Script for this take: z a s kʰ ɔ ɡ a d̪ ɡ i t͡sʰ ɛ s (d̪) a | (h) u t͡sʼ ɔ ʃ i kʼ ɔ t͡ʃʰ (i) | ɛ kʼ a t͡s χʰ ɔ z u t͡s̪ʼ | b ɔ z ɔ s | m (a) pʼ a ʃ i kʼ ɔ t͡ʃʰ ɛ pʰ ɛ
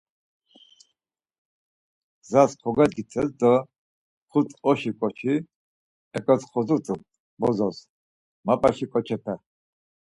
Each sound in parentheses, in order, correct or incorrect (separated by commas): correct, incorrect, correct, correct